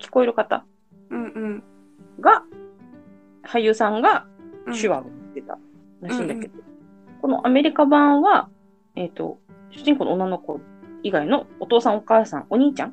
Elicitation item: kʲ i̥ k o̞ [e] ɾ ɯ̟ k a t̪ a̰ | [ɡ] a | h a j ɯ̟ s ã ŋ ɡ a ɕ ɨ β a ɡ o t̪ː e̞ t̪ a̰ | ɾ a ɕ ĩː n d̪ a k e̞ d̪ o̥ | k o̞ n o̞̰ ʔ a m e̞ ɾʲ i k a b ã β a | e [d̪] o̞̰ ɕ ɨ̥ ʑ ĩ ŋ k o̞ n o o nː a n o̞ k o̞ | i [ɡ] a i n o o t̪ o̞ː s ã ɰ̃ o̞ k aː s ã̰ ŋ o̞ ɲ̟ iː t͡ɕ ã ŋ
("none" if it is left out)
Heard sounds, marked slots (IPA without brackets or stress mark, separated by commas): e, ɡ, t̪, ɡ